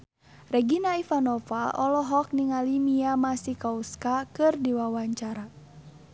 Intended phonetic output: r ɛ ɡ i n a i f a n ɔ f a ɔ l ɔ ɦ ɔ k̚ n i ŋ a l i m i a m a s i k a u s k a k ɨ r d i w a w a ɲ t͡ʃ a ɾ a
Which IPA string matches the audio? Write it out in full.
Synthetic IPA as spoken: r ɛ ɡ i n a i f a n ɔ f a ɔ l ɔ ɦ ɔ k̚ n i ŋ a l i m i a m a s i k a u s k a k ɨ r d i w a w a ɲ t͡ʃ a ɾ a